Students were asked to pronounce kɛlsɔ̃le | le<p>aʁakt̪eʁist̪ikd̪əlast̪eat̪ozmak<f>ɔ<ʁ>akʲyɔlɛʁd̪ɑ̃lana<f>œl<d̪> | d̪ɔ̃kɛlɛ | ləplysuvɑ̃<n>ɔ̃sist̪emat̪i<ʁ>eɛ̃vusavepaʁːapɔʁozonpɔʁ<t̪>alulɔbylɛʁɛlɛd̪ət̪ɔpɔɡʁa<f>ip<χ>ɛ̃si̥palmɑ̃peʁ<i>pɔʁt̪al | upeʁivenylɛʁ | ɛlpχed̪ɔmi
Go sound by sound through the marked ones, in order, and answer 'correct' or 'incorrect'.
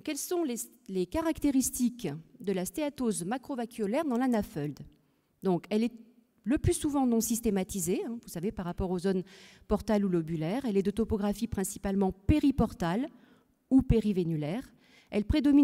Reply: incorrect: k, incorrect: χ, incorrect: v, correct, correct, correct, incorrect: z, correct, correct, correct, correct

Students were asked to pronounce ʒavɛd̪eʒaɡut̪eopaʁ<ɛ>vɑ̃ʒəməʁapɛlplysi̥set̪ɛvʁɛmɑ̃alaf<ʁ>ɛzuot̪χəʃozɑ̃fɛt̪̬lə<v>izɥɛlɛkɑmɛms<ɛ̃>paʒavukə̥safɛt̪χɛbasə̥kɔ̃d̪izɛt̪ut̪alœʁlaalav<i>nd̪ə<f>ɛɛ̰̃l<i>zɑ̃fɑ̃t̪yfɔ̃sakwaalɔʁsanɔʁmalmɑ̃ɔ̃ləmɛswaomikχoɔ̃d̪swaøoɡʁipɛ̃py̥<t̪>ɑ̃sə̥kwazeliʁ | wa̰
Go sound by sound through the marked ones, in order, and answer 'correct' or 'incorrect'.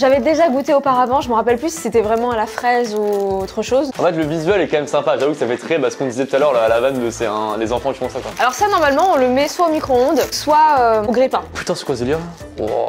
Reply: incorrect: a, incorrect: χ, correct, correct, incorrect: a, incorrect: s, incorrect: e, correct

